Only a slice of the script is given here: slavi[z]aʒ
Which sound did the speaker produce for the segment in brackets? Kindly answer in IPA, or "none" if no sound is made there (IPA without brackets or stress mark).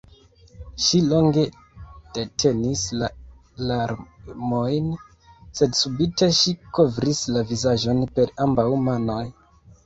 z